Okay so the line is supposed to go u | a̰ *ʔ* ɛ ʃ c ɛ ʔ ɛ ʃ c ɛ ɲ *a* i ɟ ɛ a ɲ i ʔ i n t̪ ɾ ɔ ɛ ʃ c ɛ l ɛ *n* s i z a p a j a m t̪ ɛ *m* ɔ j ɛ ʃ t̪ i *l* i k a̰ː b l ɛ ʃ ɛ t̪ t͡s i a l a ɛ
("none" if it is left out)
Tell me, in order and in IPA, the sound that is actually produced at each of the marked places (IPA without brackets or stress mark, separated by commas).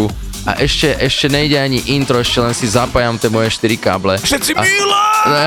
ʔ, ɛ, n, m, ɾ